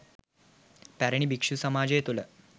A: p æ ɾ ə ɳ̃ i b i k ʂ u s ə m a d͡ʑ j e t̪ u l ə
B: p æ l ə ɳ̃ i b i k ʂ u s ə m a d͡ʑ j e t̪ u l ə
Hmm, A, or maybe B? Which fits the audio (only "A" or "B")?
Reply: A